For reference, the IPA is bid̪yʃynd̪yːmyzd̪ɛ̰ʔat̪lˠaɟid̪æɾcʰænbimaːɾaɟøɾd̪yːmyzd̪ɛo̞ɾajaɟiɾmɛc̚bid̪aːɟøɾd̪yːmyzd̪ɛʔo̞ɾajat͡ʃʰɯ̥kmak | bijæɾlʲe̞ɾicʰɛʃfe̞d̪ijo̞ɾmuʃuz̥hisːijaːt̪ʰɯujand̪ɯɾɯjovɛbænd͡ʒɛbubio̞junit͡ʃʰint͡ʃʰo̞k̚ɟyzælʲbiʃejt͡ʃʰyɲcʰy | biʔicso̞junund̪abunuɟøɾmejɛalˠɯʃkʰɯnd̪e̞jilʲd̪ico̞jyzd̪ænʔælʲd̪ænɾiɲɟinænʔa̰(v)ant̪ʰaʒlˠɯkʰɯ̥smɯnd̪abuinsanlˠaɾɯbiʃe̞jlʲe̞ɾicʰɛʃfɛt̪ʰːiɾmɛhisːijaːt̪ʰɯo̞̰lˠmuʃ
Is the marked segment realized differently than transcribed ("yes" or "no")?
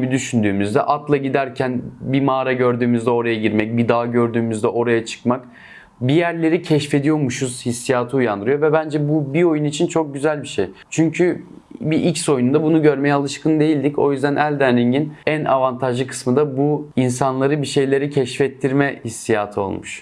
no